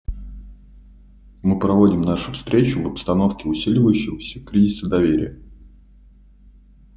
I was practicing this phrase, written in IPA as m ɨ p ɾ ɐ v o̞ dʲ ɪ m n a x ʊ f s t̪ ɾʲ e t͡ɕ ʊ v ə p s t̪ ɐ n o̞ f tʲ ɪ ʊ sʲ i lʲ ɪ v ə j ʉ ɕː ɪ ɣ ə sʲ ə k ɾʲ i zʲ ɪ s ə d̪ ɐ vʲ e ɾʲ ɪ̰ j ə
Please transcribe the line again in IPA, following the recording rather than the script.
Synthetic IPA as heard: m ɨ p ɾ ɐ v o̞ dʲ ɪ m n a ʂ ʊ f s t̪ ɾʲ e t͡ɕ ʊ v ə p s t̪ ɐ n o̞ f kʲ ɪ ʊ sʲ i lʲ ɪ v ə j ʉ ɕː ɪ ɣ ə sʲ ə k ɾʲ i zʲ ɪ s ə d̪ ɐ vʲ e ɾʲ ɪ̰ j ə